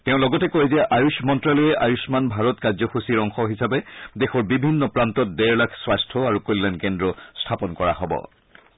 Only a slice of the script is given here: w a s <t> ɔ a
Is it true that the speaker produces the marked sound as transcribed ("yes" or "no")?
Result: no